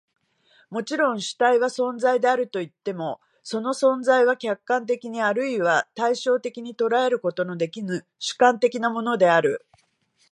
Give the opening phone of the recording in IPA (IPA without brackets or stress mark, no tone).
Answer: m